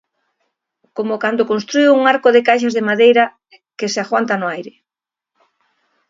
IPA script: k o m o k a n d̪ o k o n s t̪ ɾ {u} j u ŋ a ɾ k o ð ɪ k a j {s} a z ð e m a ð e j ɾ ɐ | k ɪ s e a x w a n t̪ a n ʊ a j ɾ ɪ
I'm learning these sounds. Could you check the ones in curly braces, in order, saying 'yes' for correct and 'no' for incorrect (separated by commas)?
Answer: yes, no